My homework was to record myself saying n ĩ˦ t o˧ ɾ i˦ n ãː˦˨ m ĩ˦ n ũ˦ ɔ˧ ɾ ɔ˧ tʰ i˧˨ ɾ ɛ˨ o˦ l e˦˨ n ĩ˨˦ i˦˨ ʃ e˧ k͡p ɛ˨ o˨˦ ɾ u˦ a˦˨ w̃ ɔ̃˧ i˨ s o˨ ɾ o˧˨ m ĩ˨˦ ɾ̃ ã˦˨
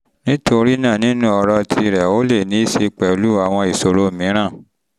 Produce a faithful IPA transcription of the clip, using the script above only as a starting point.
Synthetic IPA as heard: n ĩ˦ t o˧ ɾ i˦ n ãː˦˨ n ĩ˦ n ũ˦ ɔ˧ ɾ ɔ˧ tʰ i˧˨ ɾ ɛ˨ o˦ l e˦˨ n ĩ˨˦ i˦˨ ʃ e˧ k͡p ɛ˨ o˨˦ l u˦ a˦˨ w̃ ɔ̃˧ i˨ s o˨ ɾ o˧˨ m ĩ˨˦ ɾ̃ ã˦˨